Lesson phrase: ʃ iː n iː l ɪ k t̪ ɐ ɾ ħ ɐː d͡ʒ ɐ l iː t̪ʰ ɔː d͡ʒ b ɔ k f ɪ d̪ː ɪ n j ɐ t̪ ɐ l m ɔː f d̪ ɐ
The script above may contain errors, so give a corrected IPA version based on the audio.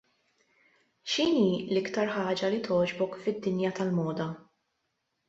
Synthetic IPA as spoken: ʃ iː n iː l ɪ k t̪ ɐ ɾ ħ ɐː d͡ʒ ɐ l i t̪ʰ ɔː d͡ʒ b ɔ k f ɪ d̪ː ɪ n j ɐ t̪ ɐ l m ɔː d̪ ɐ